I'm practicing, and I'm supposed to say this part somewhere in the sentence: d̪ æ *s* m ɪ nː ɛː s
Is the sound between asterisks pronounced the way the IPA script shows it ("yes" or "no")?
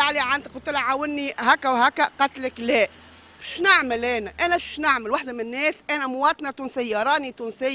no